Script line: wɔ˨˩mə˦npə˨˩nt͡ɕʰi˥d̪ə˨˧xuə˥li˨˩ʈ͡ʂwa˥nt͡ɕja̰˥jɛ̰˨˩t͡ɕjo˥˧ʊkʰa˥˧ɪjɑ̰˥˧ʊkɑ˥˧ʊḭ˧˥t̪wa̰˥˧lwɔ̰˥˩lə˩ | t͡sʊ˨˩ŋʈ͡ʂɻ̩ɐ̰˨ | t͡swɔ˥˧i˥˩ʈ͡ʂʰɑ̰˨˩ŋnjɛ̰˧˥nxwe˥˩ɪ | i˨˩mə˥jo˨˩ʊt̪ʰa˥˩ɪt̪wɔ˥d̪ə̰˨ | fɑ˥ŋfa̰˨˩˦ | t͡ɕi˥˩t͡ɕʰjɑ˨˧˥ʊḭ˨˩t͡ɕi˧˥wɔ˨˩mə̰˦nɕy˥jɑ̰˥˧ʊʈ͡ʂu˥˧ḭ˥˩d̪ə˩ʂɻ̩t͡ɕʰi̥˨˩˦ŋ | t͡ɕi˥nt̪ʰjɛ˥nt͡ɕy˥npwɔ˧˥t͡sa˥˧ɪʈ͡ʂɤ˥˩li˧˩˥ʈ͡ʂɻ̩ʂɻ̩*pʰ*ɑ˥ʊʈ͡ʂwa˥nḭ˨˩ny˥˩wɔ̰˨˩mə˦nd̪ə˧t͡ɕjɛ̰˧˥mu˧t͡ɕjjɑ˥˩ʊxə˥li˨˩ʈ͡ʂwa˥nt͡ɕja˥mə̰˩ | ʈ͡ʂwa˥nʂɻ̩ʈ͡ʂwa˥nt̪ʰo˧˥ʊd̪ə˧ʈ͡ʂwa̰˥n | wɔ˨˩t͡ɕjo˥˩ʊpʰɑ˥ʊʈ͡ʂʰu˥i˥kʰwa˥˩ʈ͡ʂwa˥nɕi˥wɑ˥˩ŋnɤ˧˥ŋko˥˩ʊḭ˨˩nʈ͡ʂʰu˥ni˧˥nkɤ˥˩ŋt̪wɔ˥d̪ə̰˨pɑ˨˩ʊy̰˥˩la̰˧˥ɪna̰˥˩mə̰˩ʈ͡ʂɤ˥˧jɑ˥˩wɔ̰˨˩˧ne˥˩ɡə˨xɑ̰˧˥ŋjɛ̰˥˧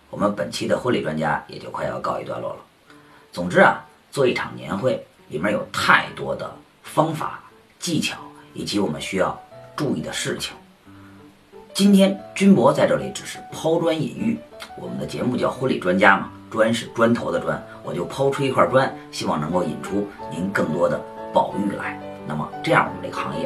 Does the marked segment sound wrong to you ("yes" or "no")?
no